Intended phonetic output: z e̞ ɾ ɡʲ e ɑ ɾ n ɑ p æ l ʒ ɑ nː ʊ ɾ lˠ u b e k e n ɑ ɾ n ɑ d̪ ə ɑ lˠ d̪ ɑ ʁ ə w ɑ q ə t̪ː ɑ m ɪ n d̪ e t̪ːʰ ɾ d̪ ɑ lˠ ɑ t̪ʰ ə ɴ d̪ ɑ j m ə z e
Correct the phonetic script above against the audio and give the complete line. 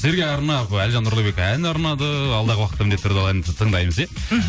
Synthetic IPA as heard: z e̞ ɾ ɡʲ e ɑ ɾ n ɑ p æ l ʒ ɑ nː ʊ ɾ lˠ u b e k æ n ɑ ɾ n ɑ d̪ ə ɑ lˠ d̪ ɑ ʁ ə w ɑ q ə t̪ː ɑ m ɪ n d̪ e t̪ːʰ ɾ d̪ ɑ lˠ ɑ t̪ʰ ə ɴ d̪ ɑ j m ə z e